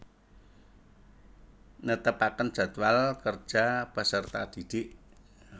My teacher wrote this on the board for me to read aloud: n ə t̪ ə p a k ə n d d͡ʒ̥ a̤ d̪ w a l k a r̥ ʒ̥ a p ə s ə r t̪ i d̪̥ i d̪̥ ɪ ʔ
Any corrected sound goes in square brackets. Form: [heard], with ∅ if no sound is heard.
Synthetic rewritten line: n ə t̪ ə p a k ə n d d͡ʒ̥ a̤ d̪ w a l k [ə] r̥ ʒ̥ a p ə s ə r t̪ [a] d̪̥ i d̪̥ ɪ ʔ